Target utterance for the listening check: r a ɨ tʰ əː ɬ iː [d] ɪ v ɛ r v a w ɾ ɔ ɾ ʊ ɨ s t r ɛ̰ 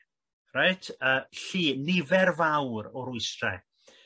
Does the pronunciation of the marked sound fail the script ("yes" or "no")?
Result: yes